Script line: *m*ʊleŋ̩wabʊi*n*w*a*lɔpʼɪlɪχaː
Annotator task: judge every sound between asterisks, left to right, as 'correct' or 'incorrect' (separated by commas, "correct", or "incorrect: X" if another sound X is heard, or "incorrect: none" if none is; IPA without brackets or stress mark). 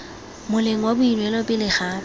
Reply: correct, correct, incorrect: ɛ